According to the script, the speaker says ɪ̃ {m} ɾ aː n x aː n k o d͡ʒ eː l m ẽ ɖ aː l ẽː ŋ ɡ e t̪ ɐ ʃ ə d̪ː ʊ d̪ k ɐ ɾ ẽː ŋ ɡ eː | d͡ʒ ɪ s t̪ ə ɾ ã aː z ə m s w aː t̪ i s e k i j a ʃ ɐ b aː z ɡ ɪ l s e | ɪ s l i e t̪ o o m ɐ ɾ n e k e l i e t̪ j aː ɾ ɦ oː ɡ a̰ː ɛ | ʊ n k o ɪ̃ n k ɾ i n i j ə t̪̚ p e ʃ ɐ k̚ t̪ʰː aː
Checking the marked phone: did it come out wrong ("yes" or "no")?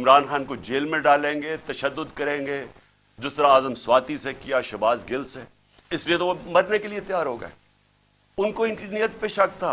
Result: no